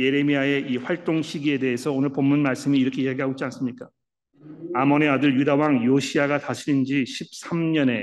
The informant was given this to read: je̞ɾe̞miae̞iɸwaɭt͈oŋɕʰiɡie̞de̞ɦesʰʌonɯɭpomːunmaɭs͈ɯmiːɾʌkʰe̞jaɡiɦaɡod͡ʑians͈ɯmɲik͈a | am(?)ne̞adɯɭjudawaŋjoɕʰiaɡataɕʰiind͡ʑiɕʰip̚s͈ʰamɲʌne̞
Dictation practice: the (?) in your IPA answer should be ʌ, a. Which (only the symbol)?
ʌ